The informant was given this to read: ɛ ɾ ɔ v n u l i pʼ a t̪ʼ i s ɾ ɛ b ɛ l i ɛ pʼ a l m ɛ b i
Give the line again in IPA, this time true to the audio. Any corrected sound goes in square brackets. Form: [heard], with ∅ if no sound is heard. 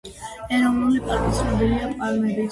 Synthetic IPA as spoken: ɛ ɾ ɔ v n u l i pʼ a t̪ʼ i s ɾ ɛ b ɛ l i [a] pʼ a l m ɛ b i